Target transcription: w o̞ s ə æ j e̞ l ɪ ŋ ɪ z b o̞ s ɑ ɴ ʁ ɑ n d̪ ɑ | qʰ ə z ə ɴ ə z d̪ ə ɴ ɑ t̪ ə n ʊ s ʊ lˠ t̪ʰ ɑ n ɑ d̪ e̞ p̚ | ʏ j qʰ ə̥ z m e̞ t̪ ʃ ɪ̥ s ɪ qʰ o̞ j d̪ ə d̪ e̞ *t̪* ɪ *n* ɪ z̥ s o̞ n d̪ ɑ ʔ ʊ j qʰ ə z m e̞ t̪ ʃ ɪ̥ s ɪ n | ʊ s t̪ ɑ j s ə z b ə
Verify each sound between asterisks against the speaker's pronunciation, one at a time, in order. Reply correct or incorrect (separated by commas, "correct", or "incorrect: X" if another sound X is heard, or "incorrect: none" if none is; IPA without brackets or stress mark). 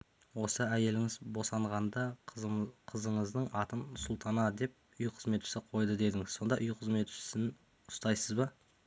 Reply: incorrect: d̪, incorrect: ŋ